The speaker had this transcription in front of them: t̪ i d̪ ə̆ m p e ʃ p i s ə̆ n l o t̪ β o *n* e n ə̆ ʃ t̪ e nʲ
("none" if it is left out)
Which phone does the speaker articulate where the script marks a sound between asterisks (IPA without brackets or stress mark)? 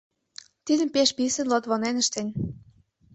n